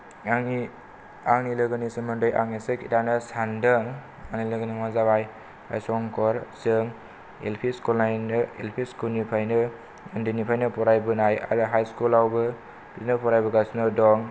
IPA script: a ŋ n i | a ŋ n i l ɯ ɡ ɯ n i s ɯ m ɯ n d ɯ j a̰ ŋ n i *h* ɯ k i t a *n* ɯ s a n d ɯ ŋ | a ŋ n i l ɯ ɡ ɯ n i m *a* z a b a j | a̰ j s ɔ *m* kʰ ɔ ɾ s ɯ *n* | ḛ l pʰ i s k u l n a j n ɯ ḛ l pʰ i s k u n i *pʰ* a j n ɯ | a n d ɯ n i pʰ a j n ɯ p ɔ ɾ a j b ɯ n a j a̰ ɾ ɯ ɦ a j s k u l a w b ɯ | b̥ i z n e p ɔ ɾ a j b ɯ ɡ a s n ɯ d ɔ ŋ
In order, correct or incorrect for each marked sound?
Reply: incorrect, correct, correct, incorrect, incorrect, correct

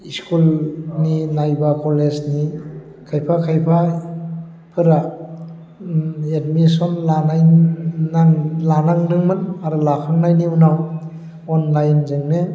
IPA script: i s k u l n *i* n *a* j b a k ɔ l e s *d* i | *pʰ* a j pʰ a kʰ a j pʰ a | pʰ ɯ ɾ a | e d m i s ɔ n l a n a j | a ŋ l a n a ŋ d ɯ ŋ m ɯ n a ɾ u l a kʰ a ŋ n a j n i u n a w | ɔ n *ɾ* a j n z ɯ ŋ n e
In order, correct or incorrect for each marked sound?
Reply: correct, correct, incorrect, incorrect, incorrect

